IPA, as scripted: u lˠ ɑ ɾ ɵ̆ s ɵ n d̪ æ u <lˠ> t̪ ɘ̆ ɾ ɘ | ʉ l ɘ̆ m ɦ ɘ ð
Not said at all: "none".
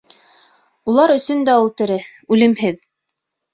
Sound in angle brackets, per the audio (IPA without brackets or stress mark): lˠ